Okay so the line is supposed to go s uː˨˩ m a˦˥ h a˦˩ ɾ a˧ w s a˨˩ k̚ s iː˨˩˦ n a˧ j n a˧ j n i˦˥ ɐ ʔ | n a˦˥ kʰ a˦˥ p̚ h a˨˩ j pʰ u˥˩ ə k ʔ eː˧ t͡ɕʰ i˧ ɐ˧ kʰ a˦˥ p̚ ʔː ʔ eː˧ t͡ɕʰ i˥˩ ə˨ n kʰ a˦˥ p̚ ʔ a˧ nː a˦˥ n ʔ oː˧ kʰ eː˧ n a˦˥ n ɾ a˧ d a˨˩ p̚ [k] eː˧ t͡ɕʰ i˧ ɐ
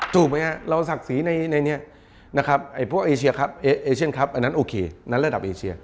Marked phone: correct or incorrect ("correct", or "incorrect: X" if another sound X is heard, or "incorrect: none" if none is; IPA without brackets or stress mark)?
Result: incorrect: ʔ